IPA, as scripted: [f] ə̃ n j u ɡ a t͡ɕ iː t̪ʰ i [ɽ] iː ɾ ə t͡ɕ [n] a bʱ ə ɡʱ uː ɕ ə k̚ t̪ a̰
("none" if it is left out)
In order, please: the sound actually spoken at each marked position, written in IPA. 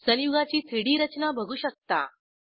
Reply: s, ɽ, n

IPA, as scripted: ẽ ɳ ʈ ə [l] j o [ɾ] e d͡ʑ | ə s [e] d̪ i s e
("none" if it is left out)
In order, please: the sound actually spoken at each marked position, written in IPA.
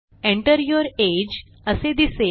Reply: ɾ, ɾ, e

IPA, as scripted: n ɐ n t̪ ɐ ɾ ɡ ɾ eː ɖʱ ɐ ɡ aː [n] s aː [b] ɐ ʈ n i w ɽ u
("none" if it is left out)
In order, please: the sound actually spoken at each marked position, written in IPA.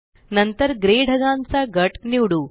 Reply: n, ɡ

